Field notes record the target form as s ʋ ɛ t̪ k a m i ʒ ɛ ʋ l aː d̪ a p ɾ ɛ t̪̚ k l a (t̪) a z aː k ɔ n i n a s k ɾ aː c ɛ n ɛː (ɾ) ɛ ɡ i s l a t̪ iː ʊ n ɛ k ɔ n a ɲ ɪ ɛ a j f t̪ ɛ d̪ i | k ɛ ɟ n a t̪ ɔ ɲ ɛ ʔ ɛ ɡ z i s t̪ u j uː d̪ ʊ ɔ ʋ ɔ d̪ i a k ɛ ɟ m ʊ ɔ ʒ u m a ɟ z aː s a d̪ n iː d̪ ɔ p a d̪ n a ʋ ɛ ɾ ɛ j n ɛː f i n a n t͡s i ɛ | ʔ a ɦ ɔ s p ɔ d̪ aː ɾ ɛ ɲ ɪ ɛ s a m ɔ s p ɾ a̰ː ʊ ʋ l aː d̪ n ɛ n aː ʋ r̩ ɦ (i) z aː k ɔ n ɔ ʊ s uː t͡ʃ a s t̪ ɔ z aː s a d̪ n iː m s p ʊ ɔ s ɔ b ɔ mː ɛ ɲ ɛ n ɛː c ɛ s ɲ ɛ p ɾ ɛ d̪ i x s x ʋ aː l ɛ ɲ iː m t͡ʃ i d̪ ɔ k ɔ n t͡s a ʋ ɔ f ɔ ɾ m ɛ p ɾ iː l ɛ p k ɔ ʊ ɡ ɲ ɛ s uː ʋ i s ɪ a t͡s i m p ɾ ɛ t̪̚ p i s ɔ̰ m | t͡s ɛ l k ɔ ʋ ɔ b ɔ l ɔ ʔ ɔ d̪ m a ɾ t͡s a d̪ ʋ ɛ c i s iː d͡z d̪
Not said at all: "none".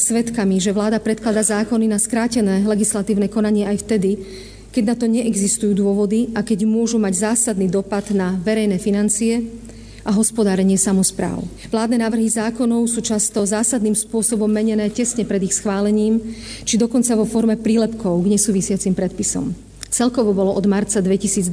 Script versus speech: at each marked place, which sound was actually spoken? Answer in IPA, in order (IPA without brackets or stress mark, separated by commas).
d̪, l, i